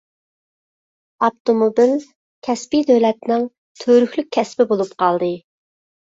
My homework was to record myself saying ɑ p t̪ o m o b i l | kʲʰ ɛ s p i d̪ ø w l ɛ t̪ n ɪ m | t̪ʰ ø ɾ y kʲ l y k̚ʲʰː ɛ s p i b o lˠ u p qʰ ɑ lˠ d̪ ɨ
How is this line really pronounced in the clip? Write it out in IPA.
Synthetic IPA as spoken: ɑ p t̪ o m o b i l | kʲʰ ɛ s p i d̪ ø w l ɛ t̪ n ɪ ŋ | t̪ʰ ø ɾ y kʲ l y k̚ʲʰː ɛ s p ɪ b o lˠ u p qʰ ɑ lˠ d̪ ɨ